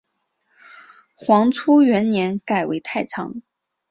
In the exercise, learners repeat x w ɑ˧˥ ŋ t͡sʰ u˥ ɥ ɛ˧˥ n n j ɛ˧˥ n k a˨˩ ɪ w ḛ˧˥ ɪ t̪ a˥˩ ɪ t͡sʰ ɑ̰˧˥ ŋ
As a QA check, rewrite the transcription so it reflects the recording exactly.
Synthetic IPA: x w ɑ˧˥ ŋ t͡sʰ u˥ ɥ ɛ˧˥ n n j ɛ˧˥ n k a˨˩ ɪ w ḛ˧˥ ɪ t̪ʰ a˥˩ ɪ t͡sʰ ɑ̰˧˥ ŋ